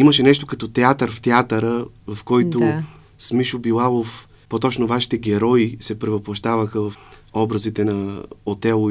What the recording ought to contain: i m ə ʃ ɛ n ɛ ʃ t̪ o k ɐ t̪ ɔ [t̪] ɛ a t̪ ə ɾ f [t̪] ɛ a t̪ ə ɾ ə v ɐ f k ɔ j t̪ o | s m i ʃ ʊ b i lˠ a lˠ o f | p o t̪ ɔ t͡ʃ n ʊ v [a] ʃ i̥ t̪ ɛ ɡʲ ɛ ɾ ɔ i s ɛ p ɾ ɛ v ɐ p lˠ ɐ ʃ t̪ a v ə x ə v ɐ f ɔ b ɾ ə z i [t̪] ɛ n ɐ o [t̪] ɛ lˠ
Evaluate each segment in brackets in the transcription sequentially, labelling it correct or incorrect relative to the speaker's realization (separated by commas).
correct, correct, correct, correct, correct